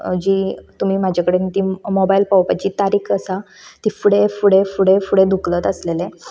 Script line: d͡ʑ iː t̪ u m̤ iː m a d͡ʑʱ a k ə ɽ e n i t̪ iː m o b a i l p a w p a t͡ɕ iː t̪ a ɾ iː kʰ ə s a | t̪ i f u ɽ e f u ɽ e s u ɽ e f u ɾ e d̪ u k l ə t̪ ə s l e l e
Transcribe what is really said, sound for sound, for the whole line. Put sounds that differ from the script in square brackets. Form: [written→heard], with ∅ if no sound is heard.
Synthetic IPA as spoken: d͡ʑ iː t̪ u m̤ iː m a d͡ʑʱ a k ə ɽ e n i t̪ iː m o b a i l p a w p a t͡ɕ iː t̪ a ɾ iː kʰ ə s a | t̪ i f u ɽ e f u ɽ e [s→f] u ɽ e f u [ɾ→ɽ] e d̪ u k l ə t̪ ə s l e l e